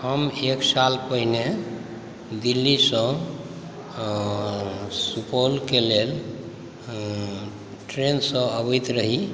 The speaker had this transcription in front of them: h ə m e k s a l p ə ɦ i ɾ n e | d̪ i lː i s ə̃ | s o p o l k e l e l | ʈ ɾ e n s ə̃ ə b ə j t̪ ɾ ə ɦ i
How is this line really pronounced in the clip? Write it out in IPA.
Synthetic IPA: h ə m e k s a l p ə ɦ i n e | d̪ i lː i s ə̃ | s u p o l k e l e l | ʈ ɾ e n s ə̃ ə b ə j t̪ ɾ ə ɦ i